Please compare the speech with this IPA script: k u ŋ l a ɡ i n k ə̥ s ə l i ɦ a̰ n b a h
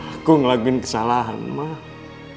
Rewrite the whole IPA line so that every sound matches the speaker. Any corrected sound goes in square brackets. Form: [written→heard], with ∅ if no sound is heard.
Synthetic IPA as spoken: k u ŋ l a ɡ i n k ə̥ s [ə→a] l [i→a] ɦ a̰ n [b→m] a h